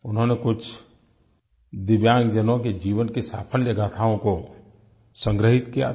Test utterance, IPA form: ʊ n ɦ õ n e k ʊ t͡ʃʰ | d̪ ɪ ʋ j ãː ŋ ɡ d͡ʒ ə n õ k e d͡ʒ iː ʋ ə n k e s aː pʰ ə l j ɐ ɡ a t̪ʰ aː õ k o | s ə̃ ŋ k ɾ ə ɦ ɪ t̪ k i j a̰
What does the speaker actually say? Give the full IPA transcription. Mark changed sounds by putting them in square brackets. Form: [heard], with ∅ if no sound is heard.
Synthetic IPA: ʊ n ɦ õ n e k ʊ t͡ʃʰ | d̪ ɪ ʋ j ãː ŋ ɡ d͡ʒ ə n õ k e d͡ʒ iː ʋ ə n k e s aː pʰ ə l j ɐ ɡ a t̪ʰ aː õ k o | s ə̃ ŋ [ɡ] ɾ ə ɦ ɪ t̪ k i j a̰